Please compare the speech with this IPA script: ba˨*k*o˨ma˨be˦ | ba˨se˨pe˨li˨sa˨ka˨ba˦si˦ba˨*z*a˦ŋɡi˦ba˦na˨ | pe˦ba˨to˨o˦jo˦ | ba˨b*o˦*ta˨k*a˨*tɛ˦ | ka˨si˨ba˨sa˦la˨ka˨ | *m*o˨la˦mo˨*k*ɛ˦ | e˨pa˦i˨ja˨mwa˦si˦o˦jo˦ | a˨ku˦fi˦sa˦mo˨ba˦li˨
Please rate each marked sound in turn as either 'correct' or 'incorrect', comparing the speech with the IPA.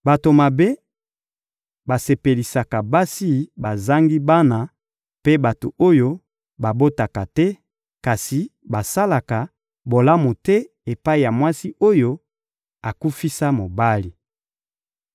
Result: incorrect: t, correct, correct, correct, incorrect: b, incorrect: t

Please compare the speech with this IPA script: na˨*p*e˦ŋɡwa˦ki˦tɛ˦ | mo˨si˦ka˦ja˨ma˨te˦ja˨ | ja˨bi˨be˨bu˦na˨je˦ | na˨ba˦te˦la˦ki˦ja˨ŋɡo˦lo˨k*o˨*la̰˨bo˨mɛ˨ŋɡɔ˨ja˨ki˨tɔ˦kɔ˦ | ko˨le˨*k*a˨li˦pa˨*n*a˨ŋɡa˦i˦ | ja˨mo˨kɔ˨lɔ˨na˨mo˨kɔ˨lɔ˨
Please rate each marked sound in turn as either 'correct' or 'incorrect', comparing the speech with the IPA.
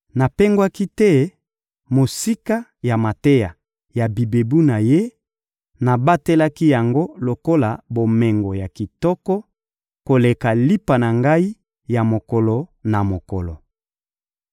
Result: correct, incorrect: o˦, correct, correct

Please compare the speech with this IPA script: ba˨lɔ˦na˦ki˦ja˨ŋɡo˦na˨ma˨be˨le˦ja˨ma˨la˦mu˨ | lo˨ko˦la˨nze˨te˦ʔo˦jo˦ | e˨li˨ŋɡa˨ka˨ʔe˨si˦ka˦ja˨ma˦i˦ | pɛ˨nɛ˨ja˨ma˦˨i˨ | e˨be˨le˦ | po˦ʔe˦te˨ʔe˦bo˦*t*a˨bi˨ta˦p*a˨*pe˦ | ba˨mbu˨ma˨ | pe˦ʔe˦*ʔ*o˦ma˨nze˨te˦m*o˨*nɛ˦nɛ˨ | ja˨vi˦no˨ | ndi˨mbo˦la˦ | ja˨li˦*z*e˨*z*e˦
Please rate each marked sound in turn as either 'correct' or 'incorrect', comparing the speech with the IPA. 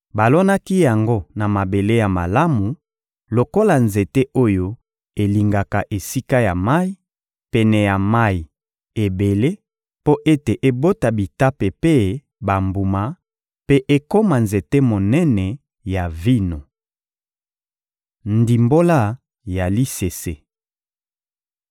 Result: correct, incorrect: e˨, incorrect: k, correct, incorrect: s, incorrect: s

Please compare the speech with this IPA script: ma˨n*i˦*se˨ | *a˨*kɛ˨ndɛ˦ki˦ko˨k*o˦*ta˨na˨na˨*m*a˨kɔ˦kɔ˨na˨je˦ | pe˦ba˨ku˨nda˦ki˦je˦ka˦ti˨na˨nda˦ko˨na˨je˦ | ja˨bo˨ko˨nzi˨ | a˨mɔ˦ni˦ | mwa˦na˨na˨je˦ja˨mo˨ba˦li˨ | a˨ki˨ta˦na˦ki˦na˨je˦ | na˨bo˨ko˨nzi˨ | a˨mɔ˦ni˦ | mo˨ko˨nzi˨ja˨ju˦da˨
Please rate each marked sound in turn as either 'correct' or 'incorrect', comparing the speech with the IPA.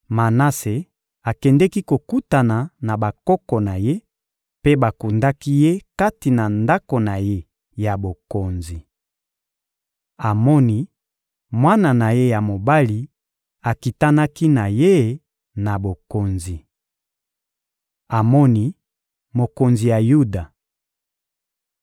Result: incorrect: a˦, correct, incorrect: u˦, incorrect: b

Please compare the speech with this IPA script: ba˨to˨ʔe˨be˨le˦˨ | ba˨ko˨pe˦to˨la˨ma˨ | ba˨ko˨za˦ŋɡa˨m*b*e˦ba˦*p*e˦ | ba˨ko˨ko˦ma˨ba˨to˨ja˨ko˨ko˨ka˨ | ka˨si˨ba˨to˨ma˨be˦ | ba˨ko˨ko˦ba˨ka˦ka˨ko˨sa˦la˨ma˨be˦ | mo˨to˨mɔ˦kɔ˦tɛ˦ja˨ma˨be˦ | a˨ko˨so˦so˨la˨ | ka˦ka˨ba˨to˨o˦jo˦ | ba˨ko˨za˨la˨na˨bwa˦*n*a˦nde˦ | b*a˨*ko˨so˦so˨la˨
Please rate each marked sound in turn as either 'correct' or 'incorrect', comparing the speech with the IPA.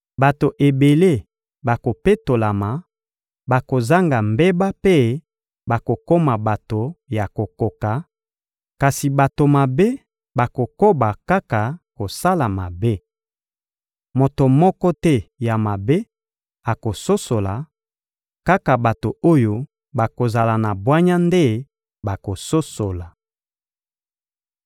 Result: correct, correct, incorrect: ɲ, correct

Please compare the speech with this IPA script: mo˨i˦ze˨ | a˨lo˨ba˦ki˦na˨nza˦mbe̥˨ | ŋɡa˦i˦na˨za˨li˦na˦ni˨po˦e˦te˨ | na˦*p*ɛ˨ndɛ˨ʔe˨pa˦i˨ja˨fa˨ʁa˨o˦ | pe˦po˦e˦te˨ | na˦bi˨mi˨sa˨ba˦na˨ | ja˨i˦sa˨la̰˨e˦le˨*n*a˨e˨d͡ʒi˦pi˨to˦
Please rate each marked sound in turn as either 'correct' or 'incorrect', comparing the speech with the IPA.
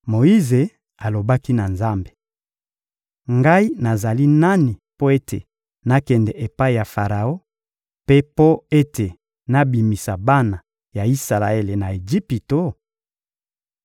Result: incorrect: k, correct

